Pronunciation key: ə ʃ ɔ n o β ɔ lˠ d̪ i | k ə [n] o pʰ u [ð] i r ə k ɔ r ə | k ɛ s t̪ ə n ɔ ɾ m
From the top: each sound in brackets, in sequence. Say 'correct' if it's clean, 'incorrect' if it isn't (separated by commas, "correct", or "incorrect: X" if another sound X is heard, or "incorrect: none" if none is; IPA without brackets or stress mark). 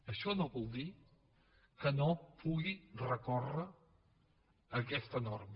correct, incorrect: ɣ